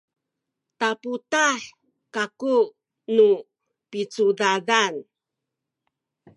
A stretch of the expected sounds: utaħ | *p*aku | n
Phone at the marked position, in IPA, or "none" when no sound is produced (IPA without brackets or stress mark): k